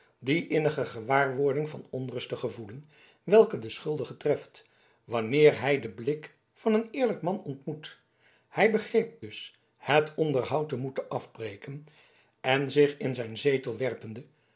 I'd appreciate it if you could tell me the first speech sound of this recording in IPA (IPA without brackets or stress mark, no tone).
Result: d